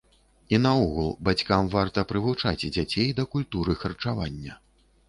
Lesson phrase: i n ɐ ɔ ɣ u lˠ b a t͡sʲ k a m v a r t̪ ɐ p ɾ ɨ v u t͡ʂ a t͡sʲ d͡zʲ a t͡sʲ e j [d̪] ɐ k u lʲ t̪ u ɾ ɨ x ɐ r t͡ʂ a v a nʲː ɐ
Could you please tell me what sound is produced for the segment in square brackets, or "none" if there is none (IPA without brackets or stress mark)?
d̪